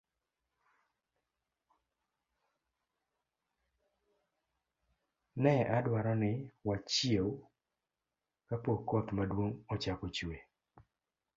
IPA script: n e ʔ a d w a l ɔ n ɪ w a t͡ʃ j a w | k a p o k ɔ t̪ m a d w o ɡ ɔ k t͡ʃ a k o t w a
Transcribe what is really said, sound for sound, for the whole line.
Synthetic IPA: n ɛ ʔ a d w a ɾ ɔ n ɪ w a t͡ʃ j e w | k a p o k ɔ t̪ m a d w o ŋ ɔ t͡ʃ a k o t͡ʃ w e